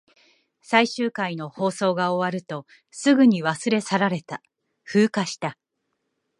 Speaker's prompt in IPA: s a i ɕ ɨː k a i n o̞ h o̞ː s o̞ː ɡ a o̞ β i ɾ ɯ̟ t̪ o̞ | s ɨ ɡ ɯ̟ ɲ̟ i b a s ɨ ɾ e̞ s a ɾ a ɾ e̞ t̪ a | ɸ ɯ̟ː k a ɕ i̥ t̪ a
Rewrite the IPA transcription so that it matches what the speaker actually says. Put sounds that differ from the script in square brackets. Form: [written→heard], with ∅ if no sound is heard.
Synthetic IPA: s a i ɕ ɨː k a i n o̞ h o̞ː s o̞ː ɡ a o̞ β [i→a] ɾ ɯ̟ t̪ o̞ | s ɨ ɡ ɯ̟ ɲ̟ i [b→β] a s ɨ ɾ e̞ s a ɾ a ɾ e̞ t̪ a | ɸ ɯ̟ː k a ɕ i̥ t̪ a